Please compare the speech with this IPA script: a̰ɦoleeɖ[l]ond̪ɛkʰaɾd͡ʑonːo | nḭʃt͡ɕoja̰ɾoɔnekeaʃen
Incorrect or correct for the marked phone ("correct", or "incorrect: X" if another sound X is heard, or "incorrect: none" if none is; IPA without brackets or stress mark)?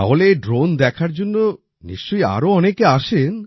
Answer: incorrect: ɾ